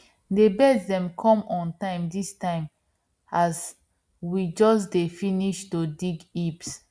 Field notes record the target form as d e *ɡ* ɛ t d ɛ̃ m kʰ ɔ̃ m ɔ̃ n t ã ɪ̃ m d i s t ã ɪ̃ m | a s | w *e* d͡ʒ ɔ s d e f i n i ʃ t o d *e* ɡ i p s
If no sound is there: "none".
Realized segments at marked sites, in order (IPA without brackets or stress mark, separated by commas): b, i, i